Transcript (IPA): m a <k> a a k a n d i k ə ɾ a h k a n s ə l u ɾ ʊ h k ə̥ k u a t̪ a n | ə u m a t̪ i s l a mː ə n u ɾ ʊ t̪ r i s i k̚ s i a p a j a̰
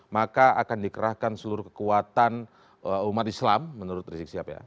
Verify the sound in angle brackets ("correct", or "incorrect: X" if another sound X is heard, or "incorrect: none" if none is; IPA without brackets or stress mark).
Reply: correct